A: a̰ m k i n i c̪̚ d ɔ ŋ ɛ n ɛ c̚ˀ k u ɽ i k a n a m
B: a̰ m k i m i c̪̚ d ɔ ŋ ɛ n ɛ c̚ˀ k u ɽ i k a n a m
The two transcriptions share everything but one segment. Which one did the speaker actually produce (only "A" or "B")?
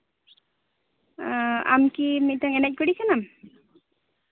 B